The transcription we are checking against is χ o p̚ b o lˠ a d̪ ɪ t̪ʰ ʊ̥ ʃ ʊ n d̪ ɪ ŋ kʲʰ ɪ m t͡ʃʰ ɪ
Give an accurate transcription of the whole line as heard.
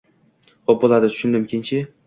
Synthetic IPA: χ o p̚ b o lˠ a d̪ ɪ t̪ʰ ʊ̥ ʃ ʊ n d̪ ɪ m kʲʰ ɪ n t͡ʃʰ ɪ

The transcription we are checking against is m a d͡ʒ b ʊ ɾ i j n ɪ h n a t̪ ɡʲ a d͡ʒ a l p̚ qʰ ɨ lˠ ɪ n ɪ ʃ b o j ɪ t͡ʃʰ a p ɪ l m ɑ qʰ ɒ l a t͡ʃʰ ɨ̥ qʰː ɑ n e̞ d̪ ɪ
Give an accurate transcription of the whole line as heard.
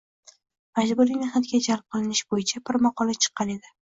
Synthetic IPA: m a d͡ʒ b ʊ ɾ i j n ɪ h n a t̪ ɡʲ a d͡ʒ a l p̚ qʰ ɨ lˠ ɪ n ɪ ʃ b o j ɪ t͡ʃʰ a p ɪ ɾ m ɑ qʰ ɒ l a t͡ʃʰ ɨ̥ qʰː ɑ n e̞ d̪ ɪ

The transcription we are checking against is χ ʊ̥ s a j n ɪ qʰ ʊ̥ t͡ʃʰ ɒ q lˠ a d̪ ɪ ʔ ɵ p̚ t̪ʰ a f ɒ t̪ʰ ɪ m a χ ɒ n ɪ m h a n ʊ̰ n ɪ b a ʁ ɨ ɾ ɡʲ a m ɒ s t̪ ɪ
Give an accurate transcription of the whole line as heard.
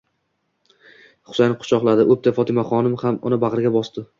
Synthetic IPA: χ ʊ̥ s a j n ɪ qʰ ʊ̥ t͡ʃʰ ɒ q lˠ a d̪ ɪ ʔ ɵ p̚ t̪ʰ a f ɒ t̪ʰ ɪ m a χ ɒ n ɪ m h a m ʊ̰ n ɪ b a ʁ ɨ ɾ ɡʲ a b ɒ s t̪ ɪ

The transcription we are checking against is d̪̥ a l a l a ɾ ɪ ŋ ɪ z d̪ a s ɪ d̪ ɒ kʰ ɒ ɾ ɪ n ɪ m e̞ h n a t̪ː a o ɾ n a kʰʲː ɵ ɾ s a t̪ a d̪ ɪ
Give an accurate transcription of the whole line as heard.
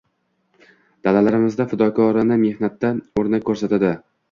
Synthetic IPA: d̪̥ a l a l a ɾ ɪ m ɪ z d̪ a f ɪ d̪ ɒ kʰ ɒ ɾ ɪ n ɪ m e̞ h n a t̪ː a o ɾ n a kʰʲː ɵ ɾ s a t̪ a d̪ ɪ

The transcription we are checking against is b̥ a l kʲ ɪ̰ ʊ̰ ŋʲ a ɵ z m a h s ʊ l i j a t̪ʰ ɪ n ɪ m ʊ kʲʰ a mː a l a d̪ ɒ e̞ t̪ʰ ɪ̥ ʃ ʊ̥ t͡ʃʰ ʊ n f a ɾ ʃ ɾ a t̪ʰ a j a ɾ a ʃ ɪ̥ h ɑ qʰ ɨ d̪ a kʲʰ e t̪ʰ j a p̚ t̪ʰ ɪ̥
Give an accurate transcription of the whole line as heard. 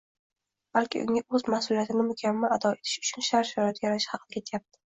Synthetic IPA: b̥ a l kʲ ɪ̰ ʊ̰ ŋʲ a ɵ z m a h s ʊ l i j a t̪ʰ ɪ n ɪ m ʊ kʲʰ a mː a l a d̪ ɒ e̞ t̪ʰ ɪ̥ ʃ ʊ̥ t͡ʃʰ ʊ n ʃ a ɾ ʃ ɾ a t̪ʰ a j a ɾ a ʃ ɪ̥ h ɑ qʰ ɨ d̪ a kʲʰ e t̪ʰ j a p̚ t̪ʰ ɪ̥

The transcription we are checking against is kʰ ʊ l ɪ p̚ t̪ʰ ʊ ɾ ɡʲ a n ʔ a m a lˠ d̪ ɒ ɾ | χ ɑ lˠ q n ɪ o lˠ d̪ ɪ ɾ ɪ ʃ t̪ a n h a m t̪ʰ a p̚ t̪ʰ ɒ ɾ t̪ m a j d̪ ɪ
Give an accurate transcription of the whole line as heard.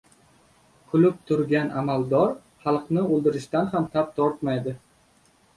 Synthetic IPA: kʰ ʊ l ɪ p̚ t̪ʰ ʊ ɾ ɡʲ a n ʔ a m a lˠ d̪ ɒ ɾ | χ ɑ lˠ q n ɪ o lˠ d̪ ɪ ɾ ɪ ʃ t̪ a n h a m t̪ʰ a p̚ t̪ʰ ɒ ɾ t̪ m a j d̪ ɪ

